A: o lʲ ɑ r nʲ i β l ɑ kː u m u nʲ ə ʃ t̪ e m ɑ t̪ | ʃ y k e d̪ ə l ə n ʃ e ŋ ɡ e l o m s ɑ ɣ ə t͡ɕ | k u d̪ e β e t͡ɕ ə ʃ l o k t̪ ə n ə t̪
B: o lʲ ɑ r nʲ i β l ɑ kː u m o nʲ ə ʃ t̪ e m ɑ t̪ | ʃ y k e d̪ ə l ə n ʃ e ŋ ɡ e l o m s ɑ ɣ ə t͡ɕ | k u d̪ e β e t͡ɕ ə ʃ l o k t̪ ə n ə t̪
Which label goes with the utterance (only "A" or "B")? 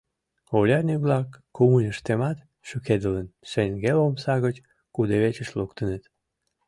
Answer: A